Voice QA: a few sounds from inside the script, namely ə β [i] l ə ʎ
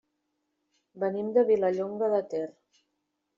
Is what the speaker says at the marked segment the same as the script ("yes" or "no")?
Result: yes